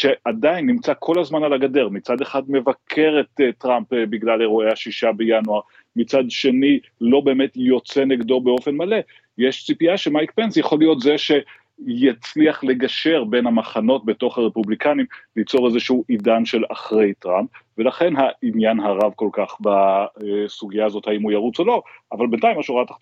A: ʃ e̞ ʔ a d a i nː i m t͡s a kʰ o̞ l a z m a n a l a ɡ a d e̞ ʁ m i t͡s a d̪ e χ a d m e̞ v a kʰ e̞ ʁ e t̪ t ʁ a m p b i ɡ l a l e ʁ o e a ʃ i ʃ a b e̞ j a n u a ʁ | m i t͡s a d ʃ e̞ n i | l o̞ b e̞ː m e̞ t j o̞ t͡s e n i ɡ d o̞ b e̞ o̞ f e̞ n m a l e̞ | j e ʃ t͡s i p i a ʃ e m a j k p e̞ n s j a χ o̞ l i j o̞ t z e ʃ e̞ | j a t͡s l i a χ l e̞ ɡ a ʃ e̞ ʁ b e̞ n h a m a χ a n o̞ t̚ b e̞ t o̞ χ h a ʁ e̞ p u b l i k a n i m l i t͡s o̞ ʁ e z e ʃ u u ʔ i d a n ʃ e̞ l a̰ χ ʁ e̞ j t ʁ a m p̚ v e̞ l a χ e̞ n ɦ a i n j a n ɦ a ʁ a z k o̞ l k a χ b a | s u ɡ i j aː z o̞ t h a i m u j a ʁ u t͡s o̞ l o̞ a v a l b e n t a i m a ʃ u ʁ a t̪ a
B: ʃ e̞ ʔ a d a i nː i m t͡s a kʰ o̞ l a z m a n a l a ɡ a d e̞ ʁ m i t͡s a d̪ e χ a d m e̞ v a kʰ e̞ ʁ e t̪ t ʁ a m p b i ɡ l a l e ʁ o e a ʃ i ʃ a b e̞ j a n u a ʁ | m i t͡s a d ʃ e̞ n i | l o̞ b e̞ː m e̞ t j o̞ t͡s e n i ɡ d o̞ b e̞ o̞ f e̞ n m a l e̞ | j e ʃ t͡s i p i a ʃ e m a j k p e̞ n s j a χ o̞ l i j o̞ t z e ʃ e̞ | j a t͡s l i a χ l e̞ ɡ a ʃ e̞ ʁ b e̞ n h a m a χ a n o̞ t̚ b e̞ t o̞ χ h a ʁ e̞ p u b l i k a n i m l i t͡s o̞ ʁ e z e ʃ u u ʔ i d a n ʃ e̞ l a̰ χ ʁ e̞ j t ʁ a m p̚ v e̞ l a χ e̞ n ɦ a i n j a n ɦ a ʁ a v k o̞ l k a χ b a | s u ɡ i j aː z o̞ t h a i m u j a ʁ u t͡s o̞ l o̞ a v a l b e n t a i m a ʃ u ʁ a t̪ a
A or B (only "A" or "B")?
B